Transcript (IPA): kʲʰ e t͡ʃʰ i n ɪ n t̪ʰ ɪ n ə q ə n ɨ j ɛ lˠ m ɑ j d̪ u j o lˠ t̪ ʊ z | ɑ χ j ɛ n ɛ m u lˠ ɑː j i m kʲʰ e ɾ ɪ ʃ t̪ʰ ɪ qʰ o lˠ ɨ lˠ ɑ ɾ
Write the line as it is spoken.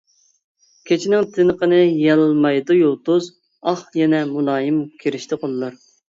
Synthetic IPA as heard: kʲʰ e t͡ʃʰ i n ɪ ŋ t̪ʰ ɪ n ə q ə n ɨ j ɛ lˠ m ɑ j d̪ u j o lˠ t̪ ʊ z | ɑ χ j ɛ n ɛ m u lˠ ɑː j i m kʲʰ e ɾ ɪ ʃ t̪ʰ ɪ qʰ o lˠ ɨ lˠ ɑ ɾ